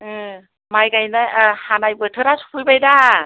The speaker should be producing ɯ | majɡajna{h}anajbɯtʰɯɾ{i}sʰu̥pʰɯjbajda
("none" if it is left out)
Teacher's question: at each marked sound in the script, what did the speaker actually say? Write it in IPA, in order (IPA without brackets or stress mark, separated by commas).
h, a